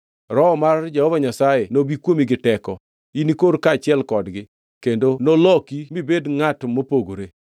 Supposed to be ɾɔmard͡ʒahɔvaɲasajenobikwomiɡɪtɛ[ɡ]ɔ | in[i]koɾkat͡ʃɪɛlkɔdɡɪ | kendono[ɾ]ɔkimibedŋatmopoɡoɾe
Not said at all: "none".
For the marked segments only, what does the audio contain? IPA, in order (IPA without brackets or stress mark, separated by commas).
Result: k, i, l